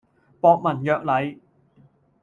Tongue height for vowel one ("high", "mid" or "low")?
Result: mid